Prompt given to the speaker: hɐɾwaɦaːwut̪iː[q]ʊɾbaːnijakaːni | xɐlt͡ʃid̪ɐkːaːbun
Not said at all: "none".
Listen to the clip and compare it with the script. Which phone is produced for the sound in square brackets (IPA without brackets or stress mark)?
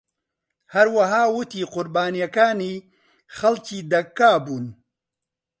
q